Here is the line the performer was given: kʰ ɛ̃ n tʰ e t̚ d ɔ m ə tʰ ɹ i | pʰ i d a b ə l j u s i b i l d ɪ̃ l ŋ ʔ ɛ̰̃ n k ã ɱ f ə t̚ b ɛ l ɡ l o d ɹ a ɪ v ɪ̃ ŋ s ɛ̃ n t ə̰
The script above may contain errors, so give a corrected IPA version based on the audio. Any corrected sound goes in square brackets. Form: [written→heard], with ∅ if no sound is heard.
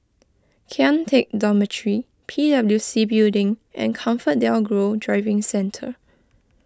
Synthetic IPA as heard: kʰ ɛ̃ n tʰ e [t̚→k̚] d ɔ m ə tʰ ɹ i | pʰ i d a b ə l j u s i b i l d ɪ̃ [l→∅] ŋ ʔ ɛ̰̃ n [k→kʰ] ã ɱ f ə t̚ [b→d] ɛ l ɡ [l→ɹ] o d ɹ a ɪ v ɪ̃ ŋ s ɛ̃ n [t→tʰ] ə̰

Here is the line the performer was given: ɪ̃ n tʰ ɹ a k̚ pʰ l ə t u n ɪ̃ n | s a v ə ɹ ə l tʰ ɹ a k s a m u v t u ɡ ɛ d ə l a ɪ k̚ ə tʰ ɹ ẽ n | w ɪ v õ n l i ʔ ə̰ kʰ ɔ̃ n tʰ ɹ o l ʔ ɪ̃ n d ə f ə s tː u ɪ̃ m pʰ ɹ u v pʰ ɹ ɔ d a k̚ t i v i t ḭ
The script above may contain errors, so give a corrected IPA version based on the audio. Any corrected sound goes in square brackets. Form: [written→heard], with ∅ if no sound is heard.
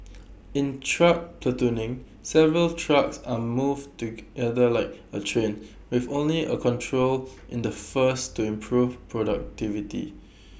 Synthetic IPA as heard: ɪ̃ n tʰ ɹ a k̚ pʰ l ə t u n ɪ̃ [n→ŋ] | s [a→ɛ] v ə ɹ ə l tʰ ɹ a k s a m u v t u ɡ ɛ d ə l a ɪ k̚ ə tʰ ɹ ẽ n | w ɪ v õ n l i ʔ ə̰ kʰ ɔ̃ n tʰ ɹ o l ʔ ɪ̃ n d ə f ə s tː u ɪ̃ m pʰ ɹ u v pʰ ɹ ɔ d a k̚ t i v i t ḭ

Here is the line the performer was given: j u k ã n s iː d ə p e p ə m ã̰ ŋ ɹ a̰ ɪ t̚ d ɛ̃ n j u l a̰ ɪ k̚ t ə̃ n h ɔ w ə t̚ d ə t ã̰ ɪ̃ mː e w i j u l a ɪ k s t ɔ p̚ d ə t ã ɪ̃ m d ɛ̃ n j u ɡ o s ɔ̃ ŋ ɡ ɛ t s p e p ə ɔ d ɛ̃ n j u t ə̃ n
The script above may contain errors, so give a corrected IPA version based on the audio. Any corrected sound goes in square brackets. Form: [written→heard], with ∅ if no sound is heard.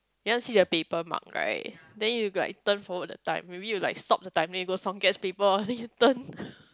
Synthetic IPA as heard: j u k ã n s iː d ə p e p ə m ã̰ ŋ ɹ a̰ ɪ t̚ d ɛ̃ n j u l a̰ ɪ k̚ t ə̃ n [h→f] ɔ w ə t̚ d ə t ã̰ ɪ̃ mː e [w→b] i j u l a ɪ k s t ɔ p̚ d ə t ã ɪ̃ m d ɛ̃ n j u ɡ o s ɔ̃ ŋ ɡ ɛ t s p e p ə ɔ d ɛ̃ n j u t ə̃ n

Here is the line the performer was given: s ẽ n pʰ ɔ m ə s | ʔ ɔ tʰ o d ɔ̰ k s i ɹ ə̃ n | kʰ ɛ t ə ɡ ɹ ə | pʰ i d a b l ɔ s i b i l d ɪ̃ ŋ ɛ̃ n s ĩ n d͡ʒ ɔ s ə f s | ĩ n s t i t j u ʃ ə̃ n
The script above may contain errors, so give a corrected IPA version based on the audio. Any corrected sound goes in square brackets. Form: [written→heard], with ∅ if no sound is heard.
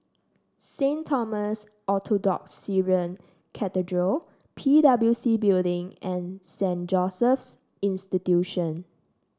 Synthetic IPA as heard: s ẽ n [pʰ→tʰ] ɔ m ə s | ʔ ɔ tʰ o d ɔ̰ k s i ɹ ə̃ n | kʰ ɛ t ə [ɡ→d] ɹ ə | pʰ i d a b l [ɔ→u] s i b i l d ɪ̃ ŋ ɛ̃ n s [ĩ→ɛ̃] n d͡ʒ ɔ s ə f s | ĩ n s t i t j u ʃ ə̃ n

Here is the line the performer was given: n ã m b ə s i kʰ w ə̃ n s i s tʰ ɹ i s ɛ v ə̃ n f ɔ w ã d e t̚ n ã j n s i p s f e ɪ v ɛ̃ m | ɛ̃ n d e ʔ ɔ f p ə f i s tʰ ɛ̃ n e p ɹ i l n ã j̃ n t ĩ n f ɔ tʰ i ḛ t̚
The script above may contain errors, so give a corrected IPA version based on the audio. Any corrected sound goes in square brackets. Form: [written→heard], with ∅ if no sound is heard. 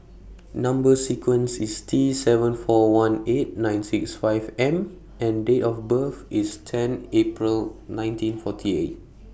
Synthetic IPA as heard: n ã m b ə s i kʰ w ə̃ n s i s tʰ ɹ i s ɛ v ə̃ n f ɔ w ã [d→n] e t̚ n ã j n s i [p→k] s f [e→a] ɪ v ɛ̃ m | ɛ̃ n d e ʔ ɔ f [p→b] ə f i s tʰ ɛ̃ n e p ɹ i l n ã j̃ n t ĩ n f ɔ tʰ i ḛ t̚

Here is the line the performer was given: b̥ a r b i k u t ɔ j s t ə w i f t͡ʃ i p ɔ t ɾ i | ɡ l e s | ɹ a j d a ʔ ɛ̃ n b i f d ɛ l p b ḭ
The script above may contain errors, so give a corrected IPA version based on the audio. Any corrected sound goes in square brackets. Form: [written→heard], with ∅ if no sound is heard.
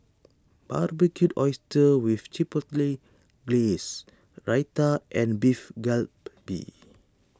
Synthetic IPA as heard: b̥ a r b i k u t ɔ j s t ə w i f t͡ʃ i p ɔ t [ɾ→l] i | ɡ l e s | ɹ a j [d→t] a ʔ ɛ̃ n b i f [d→ɡ] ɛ l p b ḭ

